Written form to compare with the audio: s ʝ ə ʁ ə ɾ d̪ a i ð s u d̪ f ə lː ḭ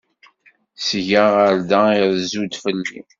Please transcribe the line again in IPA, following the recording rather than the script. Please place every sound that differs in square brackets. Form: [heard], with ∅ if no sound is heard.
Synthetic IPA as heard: s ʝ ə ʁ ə ɾ d̪ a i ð [z] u d̪ f ə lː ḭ